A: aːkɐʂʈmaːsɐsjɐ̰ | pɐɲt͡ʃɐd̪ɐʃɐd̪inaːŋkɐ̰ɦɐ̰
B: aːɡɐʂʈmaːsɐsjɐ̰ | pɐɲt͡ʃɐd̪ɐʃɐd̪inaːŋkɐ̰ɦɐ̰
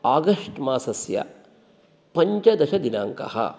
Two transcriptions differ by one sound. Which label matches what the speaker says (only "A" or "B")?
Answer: B